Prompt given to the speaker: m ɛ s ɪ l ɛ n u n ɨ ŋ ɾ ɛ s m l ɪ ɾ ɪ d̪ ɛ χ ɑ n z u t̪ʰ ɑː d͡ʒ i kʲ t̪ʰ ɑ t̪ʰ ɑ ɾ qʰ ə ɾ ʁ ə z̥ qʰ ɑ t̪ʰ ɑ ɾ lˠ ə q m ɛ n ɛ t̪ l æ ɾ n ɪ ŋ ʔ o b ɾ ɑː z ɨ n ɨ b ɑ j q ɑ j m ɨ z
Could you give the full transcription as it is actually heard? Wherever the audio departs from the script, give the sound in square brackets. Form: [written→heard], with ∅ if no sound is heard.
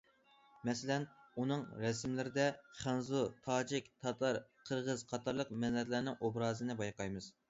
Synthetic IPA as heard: m ɛ s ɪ l ɛ n u n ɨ ŋ ɾ ɛ s m l ɪ ɾ ɪ d̪ ɛ χ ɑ n z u t̪ʰ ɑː d͡ʒ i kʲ t̪ʰ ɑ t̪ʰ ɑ ɾ qʰ ə ɾ ʁ ə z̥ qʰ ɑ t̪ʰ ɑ ɾ lˠ ə q m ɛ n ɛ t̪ l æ ɾ n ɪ ŋ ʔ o b ɾ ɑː z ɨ n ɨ b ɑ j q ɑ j m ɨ z